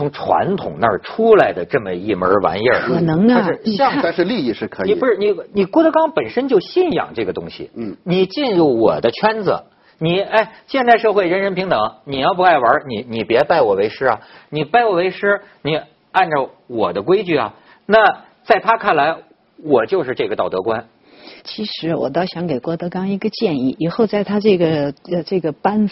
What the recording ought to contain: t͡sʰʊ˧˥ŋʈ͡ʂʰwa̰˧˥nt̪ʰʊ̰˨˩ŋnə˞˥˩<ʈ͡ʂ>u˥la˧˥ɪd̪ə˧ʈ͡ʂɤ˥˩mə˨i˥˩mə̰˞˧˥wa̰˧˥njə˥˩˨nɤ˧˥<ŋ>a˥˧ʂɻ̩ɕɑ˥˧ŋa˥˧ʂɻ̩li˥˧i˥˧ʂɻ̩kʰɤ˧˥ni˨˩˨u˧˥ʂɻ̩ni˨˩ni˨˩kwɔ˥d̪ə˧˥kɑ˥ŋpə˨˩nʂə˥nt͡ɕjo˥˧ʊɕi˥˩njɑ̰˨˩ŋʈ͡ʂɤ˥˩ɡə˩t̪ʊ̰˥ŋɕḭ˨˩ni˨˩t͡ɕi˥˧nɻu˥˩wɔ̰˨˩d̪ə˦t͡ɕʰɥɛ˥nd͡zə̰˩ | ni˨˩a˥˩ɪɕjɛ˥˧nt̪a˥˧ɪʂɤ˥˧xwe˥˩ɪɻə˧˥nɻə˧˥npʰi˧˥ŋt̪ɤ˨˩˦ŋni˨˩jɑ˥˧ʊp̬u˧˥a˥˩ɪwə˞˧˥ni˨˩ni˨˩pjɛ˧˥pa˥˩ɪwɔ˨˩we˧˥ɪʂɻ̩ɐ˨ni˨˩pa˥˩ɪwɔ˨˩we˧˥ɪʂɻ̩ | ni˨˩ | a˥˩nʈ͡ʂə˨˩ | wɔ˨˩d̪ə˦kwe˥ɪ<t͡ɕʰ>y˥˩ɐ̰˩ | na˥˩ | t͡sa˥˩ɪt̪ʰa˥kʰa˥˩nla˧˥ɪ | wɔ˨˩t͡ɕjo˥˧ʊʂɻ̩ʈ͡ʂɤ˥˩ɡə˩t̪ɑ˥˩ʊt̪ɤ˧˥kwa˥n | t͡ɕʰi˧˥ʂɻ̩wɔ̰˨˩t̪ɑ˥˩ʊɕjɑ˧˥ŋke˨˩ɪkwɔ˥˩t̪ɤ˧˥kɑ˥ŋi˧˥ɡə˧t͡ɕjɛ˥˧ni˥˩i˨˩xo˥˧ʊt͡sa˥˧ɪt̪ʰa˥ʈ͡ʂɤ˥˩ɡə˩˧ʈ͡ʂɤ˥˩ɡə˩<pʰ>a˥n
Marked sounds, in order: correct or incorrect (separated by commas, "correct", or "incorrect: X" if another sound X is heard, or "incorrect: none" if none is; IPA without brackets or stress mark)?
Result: incorrect: ʈ͡ʂʰ, correct, incorrect: t͡ɕ, incorrect: p